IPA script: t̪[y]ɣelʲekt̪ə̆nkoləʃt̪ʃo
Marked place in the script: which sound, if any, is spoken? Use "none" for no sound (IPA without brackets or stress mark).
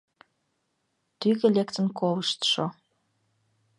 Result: y